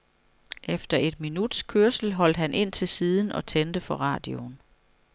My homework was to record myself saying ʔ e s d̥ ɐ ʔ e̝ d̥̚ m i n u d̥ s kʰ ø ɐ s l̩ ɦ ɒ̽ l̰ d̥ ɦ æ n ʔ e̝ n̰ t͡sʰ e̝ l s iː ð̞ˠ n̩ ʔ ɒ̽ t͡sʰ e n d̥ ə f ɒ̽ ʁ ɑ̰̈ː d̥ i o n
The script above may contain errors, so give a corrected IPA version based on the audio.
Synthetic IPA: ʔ e f d̥ ɐ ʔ e̝ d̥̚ m i n u d̥ s kʰ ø ɐ s l̩ ɦ ɒ̽ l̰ d̥ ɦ æ n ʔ e̝ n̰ t͡sʰ e̝ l s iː ð̞ˠ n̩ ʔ ɒ̽ t͡sʰ e n d̥ ə f ɒ̽ ʁ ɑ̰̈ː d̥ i o n